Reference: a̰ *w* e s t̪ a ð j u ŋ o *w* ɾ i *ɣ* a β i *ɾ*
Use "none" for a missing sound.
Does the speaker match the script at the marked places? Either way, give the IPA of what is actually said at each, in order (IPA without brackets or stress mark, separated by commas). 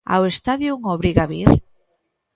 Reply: w, β, ɣ, ɾ